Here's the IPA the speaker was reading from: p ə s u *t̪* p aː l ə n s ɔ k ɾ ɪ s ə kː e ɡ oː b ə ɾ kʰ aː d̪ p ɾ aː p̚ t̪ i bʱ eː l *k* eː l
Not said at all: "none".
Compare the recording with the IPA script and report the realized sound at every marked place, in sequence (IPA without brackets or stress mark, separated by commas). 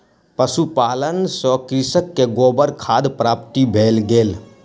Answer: none, ɡ